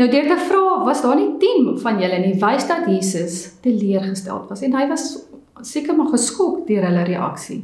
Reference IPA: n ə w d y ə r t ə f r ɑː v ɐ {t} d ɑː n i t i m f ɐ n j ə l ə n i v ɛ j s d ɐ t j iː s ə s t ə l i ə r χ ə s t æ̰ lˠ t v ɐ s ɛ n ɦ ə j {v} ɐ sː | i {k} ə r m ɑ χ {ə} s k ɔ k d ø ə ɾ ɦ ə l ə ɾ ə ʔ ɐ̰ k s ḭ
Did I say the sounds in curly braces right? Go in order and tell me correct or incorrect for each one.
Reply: incorrect: s, correct, correct, correct

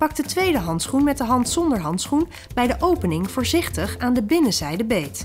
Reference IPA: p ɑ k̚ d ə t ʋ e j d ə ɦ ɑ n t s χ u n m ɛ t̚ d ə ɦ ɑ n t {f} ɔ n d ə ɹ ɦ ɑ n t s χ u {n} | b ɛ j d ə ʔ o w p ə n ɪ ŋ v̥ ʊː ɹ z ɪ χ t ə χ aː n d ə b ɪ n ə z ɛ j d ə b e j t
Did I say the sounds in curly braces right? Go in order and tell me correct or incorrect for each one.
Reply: incorrect: s, correct

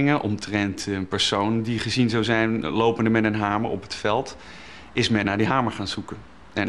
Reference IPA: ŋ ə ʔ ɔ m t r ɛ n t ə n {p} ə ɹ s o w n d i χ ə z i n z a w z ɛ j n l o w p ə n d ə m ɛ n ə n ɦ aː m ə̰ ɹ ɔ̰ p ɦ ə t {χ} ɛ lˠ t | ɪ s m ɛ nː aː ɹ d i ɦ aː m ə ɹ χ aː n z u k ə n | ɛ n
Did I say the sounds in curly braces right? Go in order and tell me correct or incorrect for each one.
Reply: correct, incorrect: f

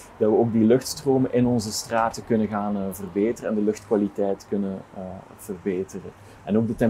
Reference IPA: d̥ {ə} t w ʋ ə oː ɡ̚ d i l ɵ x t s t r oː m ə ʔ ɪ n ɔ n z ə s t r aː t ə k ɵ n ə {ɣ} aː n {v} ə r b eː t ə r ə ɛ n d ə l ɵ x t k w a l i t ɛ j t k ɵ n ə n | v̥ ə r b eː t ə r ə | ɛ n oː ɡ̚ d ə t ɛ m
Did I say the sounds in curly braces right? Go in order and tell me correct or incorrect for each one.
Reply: incorrect: ɑ, correct, correct

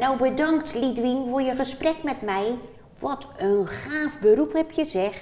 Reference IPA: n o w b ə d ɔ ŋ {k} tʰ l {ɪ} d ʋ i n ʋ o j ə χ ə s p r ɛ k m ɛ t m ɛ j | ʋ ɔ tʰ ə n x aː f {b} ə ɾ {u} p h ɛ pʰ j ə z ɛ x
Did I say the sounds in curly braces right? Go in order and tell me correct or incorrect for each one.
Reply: correct, incorrect: i, correct, correct

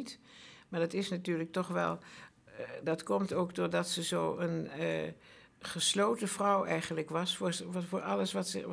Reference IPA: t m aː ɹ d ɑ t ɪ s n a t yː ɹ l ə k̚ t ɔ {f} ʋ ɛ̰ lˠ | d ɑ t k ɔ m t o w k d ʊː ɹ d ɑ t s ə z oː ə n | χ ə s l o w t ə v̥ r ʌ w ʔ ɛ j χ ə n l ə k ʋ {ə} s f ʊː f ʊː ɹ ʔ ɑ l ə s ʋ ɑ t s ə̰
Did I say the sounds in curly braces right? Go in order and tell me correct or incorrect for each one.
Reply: incorrect: χ, incorrect: ɑ

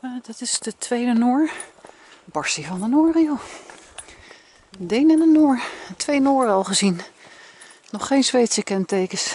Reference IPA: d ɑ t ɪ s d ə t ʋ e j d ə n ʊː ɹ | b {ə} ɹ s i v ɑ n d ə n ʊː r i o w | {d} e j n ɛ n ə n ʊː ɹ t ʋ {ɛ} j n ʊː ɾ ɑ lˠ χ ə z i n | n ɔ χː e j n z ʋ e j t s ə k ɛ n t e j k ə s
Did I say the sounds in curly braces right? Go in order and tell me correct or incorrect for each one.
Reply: incorrect: ɑ, correct, incorrect: e

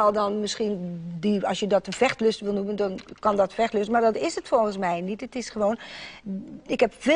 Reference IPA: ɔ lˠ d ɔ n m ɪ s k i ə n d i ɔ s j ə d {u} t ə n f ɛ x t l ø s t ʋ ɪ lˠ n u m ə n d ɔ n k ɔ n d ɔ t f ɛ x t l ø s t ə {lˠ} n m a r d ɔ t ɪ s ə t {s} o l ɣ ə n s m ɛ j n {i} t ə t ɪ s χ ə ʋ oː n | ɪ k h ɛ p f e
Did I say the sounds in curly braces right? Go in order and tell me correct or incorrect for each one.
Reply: incorrect: ɔ, incorrect: none, incorrect: f, correct

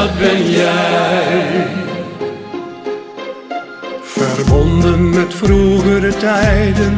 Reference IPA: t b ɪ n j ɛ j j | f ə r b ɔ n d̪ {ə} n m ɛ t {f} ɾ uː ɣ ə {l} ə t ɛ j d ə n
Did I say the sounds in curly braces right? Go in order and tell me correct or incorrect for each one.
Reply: correct, correct, incorrect: ɾ

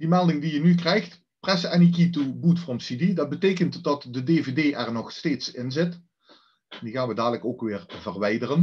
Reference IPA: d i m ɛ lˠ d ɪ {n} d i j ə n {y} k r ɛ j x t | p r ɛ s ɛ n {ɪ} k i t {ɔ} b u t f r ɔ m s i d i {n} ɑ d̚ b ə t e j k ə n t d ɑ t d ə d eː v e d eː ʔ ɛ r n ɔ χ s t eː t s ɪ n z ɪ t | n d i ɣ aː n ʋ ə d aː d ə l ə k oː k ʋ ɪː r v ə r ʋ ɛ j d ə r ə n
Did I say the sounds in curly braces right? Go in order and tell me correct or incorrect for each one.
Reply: incorrect: ŋ, correct, incorrect: i, incorrect: u, incorrect: d

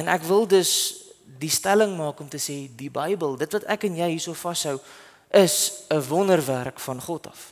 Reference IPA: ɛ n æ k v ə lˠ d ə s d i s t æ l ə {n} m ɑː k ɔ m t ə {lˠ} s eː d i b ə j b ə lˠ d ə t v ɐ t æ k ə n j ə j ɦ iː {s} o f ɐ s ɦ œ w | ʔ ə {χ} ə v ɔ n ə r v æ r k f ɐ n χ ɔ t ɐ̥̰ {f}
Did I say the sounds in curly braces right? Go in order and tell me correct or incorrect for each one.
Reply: incorrect: ŋ, incorrect: none, correct, incorrect: s, correct

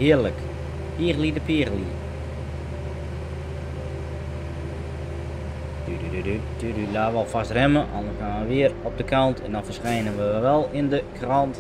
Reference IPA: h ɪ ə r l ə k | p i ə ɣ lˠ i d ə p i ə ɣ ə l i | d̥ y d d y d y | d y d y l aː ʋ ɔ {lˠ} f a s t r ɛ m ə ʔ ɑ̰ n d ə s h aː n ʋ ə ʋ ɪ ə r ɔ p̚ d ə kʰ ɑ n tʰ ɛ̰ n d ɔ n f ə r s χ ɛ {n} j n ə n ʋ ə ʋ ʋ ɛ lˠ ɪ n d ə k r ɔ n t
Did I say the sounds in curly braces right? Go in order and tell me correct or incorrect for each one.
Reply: correct, incorrect: none

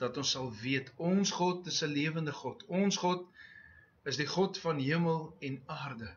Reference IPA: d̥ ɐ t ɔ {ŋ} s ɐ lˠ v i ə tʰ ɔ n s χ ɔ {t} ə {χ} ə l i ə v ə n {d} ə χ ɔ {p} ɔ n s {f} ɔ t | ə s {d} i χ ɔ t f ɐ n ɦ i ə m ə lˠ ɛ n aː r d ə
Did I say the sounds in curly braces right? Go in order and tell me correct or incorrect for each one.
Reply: incorrect: n, correct, incorrect: s, correct, incorrect: t, incorrect: χ, correct

